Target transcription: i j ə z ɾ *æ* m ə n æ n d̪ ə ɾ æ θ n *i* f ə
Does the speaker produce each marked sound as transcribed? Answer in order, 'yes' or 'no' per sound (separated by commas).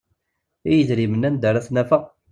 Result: no, no